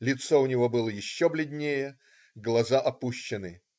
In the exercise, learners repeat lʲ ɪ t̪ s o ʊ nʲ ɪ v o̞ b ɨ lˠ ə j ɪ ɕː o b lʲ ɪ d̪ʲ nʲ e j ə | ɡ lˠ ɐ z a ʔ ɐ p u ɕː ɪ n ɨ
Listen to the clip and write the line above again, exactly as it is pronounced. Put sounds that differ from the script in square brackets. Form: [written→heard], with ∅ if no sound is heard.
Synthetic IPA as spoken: lʲ ɪ t̪ s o ʊ nʲ ɪ v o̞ b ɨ lˠ ə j ɪ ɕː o b lʲ ɪ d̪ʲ nʲ e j ə | ɡ lˠ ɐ z a ʔ ɐ p u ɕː ɪ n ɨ